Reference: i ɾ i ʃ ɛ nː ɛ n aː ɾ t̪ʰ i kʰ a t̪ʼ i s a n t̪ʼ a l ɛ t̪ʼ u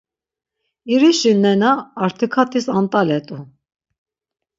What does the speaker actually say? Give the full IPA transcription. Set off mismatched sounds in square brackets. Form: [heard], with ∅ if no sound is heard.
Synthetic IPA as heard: i ɾ i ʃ [i] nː ɛ n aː ɾ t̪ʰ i kʰ a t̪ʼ i s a n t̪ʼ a l ɛ t̪ʼ u